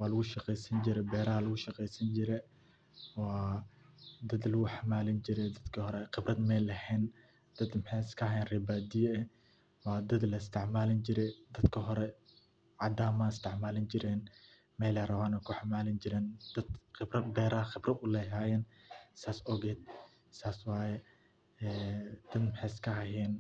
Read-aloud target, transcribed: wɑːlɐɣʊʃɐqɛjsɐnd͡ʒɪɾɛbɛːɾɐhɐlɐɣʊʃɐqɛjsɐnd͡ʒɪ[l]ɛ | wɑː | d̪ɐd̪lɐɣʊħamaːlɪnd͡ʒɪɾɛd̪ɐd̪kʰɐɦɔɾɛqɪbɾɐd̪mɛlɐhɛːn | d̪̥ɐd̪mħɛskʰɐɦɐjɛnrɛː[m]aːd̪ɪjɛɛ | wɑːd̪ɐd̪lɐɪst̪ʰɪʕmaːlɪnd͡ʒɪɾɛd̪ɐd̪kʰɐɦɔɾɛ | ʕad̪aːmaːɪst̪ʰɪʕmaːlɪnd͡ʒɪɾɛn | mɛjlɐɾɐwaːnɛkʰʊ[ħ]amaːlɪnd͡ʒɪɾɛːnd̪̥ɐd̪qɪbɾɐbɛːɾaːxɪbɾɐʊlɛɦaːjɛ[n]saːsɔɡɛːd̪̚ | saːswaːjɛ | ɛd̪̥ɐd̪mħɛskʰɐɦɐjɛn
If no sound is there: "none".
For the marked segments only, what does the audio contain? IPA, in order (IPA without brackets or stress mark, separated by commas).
ɾ, b, ħ, n